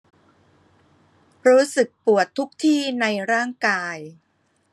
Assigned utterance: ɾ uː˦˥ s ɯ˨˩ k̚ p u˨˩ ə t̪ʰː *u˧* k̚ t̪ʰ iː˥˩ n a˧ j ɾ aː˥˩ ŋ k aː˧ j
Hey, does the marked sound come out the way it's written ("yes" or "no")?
no